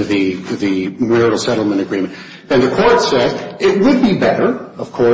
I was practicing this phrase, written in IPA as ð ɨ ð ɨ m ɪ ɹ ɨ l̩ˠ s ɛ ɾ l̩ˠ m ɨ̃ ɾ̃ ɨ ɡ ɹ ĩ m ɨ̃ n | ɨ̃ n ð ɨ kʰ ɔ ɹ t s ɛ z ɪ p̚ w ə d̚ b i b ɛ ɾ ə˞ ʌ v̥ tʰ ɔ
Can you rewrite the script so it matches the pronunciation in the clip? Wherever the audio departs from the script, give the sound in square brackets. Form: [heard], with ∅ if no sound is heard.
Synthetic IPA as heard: ð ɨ ð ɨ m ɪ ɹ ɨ l̩ˠ s ɛ ɾ l̩ˠ m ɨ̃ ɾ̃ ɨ ɡ ɹ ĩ m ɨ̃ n | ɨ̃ n ð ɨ kʰ ɔ ɹ t s ɛ z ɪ [t̚] w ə d̚ b i b ɛ ɾ ə˞ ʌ v̥ [kʰ] ɔ

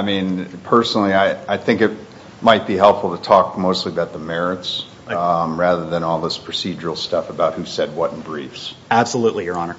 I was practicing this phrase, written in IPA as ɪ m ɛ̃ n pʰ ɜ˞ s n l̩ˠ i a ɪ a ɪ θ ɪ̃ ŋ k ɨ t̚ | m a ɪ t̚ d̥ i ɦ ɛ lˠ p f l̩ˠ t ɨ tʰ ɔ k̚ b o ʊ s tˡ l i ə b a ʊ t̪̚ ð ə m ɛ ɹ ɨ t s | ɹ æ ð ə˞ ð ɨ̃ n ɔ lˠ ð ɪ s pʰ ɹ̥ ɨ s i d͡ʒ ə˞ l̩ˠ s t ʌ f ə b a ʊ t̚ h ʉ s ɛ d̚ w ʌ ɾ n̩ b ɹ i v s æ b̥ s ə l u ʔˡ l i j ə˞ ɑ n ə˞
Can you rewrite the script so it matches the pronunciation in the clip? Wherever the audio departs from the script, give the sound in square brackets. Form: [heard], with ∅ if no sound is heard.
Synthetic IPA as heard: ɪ m [ĩ] n pʰ ɜ˞ s n l̩ˠ i a ɪ a ɪ θ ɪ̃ ŋ k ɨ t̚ | m a ɪ t̚ [b̥] i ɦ ɛ lˠ p f l̩ˠ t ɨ tʰ ɔ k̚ [m] o ʊ s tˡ l i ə b a ʊ t̪̚ ð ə m ɛ ɹ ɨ t s | ɹ æ ð ə˞ ð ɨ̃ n ɔ lˠ ð ɪ s pʰ ɹ̥ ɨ s i d͡ʒ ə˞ l̩ˠ s t ʌ f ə b a ʊ t̚ h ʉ s ɛ d̚ w ʌ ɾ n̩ b ɹ i [f] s æ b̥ s ə l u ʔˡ l i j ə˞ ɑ n ə˞

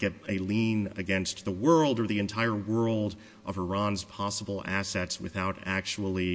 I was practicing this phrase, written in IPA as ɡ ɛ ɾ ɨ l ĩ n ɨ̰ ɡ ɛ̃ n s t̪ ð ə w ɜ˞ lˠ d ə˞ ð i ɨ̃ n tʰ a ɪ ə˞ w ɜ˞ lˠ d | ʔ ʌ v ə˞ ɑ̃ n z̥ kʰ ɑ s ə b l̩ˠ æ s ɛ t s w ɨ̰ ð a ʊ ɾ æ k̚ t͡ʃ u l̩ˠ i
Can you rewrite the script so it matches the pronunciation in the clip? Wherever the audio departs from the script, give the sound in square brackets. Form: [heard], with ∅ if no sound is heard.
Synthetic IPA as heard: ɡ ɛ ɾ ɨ l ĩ n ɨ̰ ɡ ɛ̃ n s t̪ ð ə w ɜ˞ lˠ d ə˞ ð i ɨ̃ n tʰ a ɪ ə˞ w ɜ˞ lˠ d | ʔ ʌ v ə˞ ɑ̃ n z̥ [pʰ] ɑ s ə b l̩ˠ æ s ɛ t s w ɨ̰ [θ] a ʊ ɾ æ k̚ t͡ʃ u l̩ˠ i

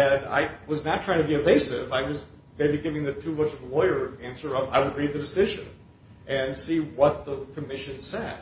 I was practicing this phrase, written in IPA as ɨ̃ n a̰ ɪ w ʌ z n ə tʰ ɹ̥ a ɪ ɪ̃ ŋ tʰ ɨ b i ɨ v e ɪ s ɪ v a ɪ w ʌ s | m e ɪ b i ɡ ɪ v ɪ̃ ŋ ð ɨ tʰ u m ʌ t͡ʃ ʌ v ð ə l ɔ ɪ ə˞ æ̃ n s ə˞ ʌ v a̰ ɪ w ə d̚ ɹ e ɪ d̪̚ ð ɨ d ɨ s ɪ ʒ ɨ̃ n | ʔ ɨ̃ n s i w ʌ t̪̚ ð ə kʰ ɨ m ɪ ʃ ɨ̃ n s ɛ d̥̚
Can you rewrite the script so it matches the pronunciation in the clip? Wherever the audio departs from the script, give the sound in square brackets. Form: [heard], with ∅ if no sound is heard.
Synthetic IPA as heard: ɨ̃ n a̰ ɪ w ʌ z n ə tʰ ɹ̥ a ɪ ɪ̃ ŋ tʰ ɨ b i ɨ v e ɪ s ɪ v a ɪ w ʌ [z] | m e ɪ b i ɡ ɪ v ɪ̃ ŋ ð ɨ tʰ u m ʌ t͡ʃ ʌ v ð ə l ɔ ɪ ə˞ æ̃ n s ə˞ ʌ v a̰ ɪ w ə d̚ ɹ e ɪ d̪̚ ð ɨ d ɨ s ɪ ʒ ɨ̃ n | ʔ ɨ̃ n s i w ʌ t̪̚ ð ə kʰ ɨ m ɪ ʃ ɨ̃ n s ɛ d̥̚

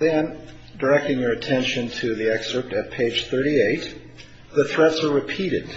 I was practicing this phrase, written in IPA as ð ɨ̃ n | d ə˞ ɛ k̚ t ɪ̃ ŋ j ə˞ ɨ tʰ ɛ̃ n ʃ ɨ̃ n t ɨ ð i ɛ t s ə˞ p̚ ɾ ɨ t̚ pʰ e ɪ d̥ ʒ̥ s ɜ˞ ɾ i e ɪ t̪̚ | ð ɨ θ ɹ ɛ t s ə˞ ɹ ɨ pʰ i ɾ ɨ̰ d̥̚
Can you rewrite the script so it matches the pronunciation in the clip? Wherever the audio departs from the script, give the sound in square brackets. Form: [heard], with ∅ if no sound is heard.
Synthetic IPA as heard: ð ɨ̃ n | d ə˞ ɛ k̚ t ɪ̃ ŋ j ə˞ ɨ tʰ ɛ̃ n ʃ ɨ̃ n [tʰ] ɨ ð i ɛ [k] s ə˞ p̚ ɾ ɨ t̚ pʰ e ɪ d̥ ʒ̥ [θ] ɜ˞ ɾ i e ɪ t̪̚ | ð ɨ θ ɹ ɛ t s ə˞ ɹ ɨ pʰ i ɾ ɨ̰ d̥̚

